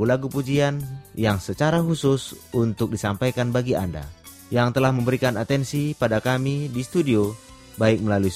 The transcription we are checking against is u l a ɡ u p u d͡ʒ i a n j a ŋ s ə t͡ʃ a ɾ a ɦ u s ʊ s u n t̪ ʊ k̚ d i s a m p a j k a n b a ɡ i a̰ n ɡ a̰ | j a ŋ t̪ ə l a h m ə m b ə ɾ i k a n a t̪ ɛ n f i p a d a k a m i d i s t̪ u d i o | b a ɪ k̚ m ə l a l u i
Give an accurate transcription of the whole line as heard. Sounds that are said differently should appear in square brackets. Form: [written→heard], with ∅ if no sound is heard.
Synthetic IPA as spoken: u l a ɡ u p u d͡ʒ i a n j a ŋ s ə t͡ʃ a ɾ a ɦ u s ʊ s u n t̪ ʊ k̚ d i s a m p a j k a n b a ɡ i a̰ n [ɡ→d] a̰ | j a ŋ t̪ ə l a h m ə m b ə ɾ i k a n a t̪ ɛ n [f→s] i p a d a k a m i d i s t̪ u d i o | b a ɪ k̚ m ə l a l u i